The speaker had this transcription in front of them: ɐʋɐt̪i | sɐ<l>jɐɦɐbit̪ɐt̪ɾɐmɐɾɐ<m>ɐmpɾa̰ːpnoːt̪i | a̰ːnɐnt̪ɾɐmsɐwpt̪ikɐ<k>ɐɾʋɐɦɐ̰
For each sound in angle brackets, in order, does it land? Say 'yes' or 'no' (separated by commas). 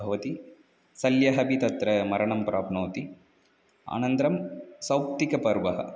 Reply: yes, no, no